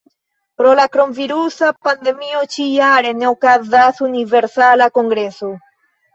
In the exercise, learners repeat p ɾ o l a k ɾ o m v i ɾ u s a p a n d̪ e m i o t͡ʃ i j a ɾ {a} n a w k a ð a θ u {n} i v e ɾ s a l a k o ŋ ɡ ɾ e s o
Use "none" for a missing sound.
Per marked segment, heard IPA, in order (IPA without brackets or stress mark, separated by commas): e, n